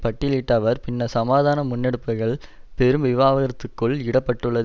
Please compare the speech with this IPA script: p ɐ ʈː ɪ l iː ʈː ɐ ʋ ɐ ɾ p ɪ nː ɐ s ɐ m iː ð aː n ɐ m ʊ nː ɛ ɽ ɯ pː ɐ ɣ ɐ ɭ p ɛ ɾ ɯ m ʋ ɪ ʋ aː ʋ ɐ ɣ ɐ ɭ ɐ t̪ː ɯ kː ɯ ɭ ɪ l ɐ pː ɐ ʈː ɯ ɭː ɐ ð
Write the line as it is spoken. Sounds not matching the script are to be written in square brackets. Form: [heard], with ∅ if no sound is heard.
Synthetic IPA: p ɐ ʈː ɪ l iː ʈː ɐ ʋ ɐ ɾ p ɪ nː ɐ s ɐ m [aː] ð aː n ɐ m ʊ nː ɛ ɽ ɯ pː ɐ ɣ ɐ ɭ p ɛ ɾ ɯ m ʋ ɪ ʋ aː ʋ ɐ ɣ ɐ [ɾ] ɐ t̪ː ɯ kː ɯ ɭ ɪ [ɽ] ɐ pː ɐ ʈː ɯ ɭː ɐ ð